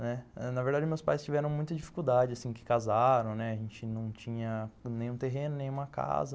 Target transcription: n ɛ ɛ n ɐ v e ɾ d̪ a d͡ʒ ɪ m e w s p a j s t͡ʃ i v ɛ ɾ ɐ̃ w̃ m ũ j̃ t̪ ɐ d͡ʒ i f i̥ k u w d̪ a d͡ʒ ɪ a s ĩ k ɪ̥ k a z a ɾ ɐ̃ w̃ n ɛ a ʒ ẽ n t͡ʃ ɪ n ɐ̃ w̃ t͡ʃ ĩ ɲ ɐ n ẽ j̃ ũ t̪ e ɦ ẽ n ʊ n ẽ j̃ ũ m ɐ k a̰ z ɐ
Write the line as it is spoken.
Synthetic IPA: n ɛ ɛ n ɐ v e ɾ d̪ a d͡ʒ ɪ m e w s p a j s t͡ʃ i v ɛ ɾ ɐ̃ w̃ m ũ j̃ t̪ ɐ d͡ʒ i f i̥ k u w d̪ a d͡ʒ ɪ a s ĩ k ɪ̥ k a z a ɾ ɐ̃ w̃ n ɛ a ʒ ẽ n t͡ʃ ɪ n ɐ̃ w̃ t͡ʃ ĩ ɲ ɐ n ẽ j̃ ũ t̪ e ɦ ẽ n ʊ n ẽ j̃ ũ m ɐ k a̰ z ɐ